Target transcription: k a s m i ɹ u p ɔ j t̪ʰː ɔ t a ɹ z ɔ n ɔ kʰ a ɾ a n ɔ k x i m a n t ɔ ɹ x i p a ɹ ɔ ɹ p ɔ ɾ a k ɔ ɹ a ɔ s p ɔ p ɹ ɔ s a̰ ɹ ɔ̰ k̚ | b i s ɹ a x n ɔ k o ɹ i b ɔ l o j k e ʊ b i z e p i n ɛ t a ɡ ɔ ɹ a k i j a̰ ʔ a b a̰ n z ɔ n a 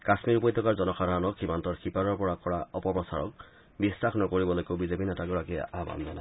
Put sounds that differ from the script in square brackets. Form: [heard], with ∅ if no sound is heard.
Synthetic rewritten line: k a s m i ɹ u p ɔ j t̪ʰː ɔ [k] a ɹ z ɔ n ɔ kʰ a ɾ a n ɔ k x i m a n t ɔ ɹ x i p a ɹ ɔ ɹ p ɔ [ɹ] a k ɔ ɹ a ɔ [∅] p ɔ p ɹ ɔ s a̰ ɹ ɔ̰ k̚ | b i s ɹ a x n ɔ k o ɹ i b ɔ l o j k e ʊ b i z e p i n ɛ t a ɡ ɔ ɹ a k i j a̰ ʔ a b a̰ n z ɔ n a